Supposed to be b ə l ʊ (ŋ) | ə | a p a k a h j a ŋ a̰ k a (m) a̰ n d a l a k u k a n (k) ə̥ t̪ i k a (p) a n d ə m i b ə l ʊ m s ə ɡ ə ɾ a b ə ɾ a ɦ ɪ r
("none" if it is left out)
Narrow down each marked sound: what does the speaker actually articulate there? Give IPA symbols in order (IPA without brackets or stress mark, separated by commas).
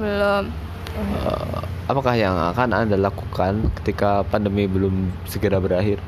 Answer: m, n, k, p